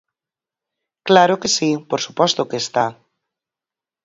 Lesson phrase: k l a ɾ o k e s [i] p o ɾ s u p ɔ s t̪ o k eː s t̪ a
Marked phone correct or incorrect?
correct